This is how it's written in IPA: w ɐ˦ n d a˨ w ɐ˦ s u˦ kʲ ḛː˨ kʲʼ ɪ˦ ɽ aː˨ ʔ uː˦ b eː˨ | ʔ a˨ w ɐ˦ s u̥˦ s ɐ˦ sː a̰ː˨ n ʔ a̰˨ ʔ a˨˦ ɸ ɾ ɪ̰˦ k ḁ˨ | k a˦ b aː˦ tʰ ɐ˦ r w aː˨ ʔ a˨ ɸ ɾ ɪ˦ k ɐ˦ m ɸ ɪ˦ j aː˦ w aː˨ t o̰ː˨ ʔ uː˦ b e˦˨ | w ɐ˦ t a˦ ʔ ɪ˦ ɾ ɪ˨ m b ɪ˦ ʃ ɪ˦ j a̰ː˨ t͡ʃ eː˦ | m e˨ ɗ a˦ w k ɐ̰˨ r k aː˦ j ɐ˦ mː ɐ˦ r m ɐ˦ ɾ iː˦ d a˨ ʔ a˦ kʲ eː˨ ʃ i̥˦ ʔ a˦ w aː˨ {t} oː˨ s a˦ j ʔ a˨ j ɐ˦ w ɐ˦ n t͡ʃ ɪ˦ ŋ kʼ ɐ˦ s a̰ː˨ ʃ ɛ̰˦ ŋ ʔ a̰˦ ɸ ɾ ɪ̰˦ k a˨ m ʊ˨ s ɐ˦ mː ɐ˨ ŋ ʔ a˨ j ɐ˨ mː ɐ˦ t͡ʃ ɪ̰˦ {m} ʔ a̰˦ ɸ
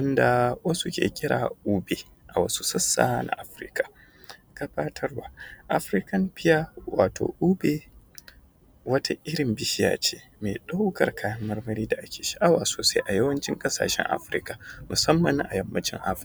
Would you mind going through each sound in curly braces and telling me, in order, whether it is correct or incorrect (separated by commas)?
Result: incorrect, incorrect